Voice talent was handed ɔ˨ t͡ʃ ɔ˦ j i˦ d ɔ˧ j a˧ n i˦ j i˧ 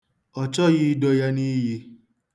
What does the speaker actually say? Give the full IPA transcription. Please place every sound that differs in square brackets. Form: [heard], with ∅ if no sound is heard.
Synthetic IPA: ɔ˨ t͡ʃ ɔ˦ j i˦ d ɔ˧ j a˧ n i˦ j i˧